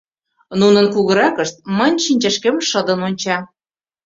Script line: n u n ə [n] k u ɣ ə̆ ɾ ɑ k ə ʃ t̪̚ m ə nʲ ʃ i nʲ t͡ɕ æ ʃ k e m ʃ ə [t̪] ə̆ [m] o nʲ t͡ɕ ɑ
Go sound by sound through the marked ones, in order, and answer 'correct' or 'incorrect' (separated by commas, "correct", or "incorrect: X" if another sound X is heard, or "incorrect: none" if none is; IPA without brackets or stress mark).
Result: correct, incorrect: d̪, incorrect: n